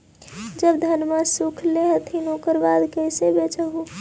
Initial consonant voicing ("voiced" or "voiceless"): voiced